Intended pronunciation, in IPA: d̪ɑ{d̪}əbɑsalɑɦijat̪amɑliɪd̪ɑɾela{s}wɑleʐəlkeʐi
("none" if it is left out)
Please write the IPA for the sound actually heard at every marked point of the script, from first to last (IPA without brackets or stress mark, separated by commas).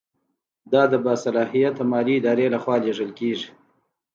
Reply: d̪, x